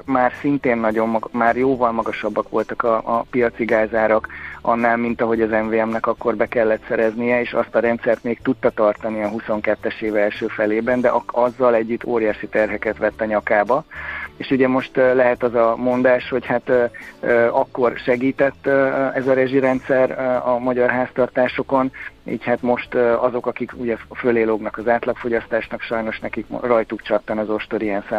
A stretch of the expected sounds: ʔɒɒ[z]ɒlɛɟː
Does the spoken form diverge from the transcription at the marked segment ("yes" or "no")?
yes